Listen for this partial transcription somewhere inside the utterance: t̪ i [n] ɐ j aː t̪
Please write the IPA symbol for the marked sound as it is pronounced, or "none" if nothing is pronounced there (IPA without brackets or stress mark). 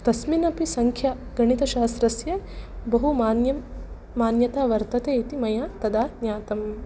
m